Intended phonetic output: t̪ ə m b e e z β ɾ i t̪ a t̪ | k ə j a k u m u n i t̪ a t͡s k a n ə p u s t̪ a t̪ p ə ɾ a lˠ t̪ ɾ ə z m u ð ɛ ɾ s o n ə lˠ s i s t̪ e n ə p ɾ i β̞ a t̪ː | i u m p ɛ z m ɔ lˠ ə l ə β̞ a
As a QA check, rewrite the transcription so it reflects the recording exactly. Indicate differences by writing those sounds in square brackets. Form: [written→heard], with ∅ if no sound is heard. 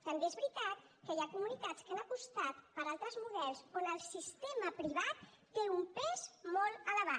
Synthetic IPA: t̪ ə m b e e z β ɾ i t̪ a t̪ | k ə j a k u m u n i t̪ a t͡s k a n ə p u s t̪ a t̪ p ə ɾ a lˠ t̪ ɾ ə z m u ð ɛ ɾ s o n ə lˠ s i s t̪ e [n→m] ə p ɾ i β̞ a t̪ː | [i→e] u m p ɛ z m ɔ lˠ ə l ə β̞ a